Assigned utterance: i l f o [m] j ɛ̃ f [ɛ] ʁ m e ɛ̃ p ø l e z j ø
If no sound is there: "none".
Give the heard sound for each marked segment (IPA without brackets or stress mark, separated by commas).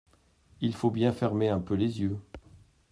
b, ɛ